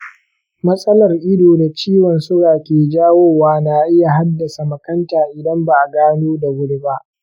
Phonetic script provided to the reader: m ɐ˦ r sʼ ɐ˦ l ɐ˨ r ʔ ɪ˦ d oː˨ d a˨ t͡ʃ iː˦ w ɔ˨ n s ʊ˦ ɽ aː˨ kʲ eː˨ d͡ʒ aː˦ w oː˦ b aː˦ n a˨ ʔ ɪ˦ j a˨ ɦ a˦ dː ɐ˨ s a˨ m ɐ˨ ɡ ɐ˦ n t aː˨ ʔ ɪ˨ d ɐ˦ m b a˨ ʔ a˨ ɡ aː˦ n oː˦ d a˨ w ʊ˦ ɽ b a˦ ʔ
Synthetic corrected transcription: m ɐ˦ sʼ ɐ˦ l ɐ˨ r ʔ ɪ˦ d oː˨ d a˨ t͡ʃ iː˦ w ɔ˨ n s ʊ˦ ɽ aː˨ kʲ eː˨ d͡ʒ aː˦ w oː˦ w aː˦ n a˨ ʔ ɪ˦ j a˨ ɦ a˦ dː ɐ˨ s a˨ m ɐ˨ k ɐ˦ n t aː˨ ʔ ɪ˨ d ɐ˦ m b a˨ ʔ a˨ ɡ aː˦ n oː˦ d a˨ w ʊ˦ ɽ b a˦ ʔ